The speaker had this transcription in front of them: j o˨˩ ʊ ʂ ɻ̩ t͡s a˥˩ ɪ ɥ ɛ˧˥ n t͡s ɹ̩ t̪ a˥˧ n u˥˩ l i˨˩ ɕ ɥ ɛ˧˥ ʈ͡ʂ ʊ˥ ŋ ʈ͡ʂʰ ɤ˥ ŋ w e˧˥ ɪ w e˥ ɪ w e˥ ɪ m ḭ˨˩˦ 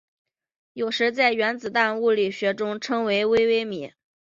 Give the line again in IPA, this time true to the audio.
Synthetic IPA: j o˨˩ ʊ ʂ ɻ̩ t͡s a˥˩ ɪ ɥ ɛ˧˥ n t͡s ɹ̩ t̪ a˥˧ n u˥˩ l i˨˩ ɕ ɥ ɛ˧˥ ʈ͡ʂ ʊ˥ ŋ ʈ͡ʂʰ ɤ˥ ŋ w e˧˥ ɪ w e˥ ɪ w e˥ ɪ m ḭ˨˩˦